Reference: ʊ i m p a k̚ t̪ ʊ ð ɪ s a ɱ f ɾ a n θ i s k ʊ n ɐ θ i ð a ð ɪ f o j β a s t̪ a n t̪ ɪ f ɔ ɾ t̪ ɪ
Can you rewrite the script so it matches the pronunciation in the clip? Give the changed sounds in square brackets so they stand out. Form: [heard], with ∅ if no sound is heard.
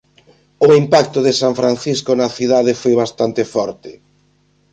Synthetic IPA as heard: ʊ i m p a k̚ t̪ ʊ ð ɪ s a ɱ f ɾ a n θ i s k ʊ n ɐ θ i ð a ð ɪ f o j β a s t̪ a n t̪ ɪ f ɔ ɾ t̪ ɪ